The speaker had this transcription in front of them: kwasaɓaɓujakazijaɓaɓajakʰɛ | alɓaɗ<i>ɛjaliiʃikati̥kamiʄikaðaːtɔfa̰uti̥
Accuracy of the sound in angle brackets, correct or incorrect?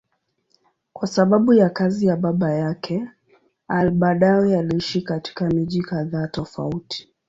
incorrect